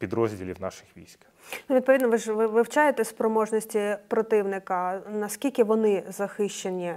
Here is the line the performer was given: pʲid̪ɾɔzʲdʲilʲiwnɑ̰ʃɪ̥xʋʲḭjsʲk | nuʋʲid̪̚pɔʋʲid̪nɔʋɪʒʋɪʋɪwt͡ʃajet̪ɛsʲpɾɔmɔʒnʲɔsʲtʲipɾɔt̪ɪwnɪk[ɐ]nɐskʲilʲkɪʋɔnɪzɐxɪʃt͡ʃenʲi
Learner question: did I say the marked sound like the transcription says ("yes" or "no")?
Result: yes